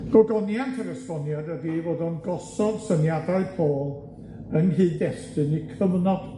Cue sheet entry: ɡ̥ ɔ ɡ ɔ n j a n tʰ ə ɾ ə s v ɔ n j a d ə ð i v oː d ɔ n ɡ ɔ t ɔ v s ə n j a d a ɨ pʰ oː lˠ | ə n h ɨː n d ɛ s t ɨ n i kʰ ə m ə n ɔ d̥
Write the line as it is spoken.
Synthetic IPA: ɡ̥ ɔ ɡ ɔ n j a n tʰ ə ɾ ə s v ɔ n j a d ə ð i v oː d ɔ n ɡ ɔ s ɔ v s ə n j a d a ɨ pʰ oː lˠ | ə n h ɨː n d ɛ s t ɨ n i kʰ ə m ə n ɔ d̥